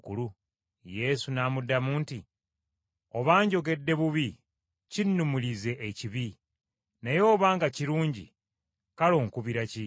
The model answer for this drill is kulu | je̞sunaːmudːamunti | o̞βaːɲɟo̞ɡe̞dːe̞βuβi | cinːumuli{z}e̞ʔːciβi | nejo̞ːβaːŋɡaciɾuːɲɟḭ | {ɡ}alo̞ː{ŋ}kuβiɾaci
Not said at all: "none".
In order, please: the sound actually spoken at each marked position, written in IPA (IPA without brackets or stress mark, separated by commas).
z, k, ŋ